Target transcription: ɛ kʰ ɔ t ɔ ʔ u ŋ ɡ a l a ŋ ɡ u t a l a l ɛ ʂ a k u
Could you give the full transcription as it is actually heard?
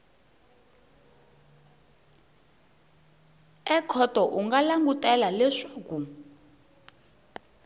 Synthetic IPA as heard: ɛ kʰ ɔ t ɔ ʔ u ŋ ɡ a l a ŋ ɡ u t ɛ l a l ɛ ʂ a k u